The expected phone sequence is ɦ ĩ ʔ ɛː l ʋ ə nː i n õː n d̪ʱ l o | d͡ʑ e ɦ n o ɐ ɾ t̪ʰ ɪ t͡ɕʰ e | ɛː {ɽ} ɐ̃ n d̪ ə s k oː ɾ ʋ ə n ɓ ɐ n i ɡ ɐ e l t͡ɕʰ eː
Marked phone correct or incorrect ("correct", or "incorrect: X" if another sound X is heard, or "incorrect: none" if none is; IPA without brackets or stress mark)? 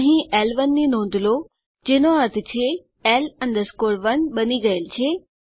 incorrect: l